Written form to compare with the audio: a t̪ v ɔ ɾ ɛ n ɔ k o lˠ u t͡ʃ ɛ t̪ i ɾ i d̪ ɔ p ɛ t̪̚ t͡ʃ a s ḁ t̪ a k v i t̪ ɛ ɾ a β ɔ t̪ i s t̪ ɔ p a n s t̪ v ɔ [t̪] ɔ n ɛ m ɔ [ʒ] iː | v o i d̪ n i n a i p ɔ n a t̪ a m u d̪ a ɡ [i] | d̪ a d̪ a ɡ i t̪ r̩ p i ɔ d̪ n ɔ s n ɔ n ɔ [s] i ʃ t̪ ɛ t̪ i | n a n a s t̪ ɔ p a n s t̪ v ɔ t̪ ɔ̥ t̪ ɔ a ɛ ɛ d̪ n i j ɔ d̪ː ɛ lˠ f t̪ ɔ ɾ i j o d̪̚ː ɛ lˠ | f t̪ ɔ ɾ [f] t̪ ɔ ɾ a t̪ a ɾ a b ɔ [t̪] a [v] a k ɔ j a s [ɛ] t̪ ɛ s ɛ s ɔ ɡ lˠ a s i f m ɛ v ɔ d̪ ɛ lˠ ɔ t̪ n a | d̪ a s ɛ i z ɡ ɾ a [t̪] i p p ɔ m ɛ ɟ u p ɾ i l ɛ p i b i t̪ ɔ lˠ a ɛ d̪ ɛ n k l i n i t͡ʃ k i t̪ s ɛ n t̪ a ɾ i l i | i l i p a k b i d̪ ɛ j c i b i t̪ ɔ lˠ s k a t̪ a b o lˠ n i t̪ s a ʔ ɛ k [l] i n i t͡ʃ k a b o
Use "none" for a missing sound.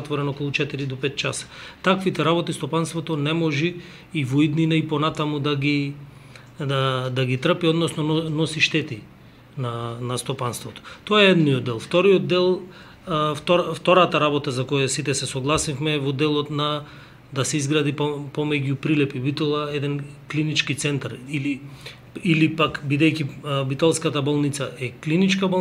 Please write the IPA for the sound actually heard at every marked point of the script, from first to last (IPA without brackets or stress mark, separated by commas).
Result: t̪, ʒ, i, s, f, t̪, z, i, d̪, l